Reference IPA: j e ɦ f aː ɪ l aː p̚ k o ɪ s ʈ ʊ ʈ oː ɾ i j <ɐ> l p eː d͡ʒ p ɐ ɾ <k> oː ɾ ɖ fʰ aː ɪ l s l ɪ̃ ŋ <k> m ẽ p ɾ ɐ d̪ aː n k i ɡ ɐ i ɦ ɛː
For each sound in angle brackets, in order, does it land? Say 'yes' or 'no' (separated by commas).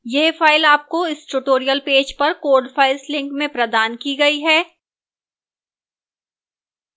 no, yes, yes